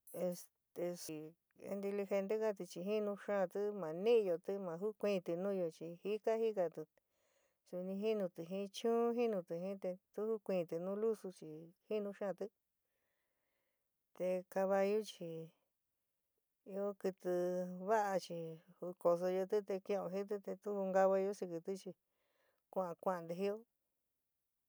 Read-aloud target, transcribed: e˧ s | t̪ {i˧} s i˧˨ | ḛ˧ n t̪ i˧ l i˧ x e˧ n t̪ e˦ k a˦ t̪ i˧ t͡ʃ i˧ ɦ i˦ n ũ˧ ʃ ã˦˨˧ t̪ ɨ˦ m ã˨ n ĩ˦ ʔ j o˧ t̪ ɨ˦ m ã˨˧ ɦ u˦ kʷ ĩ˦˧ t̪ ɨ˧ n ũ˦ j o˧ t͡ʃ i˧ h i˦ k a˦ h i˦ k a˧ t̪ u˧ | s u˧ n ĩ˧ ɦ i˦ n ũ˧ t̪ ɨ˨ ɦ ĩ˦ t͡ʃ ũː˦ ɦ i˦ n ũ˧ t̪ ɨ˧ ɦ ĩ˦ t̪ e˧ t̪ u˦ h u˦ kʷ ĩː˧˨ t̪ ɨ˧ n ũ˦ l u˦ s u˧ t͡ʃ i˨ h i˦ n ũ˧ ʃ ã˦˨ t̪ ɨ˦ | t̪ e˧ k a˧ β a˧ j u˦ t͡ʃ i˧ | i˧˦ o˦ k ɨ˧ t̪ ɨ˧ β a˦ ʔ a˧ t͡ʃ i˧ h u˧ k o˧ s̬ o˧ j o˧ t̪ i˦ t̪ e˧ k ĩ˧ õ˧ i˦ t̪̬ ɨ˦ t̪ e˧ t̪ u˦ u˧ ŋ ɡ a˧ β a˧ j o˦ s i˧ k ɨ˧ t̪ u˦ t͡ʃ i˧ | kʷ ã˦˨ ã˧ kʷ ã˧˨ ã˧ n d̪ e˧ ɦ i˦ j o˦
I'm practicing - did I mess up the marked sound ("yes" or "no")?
yes